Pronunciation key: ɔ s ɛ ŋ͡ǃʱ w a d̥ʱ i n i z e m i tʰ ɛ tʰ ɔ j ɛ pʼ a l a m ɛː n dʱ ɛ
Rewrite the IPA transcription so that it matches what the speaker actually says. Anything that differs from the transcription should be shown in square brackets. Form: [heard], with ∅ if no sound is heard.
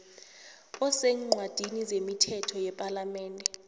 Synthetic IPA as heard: ɔ s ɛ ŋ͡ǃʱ w a d̥ʱ i n i z e m i tʰ ɛ tʰ ɔ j ɛ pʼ a l a m ɛː n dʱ ɛ